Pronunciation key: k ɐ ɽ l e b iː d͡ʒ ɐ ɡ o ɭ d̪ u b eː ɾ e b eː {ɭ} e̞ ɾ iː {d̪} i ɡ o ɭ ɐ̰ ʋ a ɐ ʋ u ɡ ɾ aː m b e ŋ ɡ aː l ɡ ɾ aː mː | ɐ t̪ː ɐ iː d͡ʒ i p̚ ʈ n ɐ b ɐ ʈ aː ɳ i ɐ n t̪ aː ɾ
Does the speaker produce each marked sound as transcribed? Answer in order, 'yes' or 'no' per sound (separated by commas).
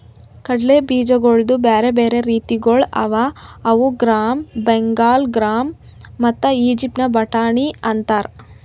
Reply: no, no